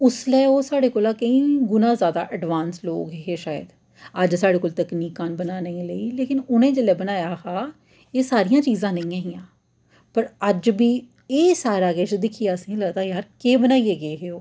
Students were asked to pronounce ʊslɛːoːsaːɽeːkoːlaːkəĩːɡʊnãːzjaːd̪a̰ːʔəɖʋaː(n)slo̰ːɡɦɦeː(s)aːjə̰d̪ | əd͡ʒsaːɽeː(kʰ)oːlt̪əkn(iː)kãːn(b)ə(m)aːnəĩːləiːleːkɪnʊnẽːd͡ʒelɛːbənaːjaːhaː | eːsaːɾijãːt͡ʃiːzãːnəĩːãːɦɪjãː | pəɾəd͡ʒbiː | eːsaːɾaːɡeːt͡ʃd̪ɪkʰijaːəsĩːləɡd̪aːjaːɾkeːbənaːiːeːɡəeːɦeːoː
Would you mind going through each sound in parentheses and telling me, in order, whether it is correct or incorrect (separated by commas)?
correct, incorrect, incorrect, correct, correct, incorrect